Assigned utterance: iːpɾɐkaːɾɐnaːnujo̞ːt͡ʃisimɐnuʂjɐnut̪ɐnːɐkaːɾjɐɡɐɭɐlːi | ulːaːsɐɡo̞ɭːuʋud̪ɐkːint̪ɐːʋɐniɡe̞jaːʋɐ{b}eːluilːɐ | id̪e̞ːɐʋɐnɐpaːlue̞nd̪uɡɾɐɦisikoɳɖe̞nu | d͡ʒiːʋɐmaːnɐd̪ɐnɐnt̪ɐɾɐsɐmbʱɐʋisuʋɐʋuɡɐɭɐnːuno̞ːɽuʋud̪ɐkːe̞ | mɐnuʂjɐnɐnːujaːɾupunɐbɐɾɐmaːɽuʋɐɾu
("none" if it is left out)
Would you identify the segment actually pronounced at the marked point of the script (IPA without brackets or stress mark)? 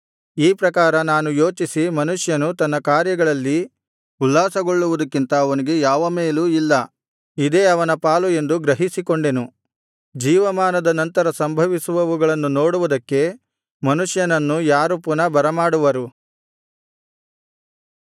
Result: m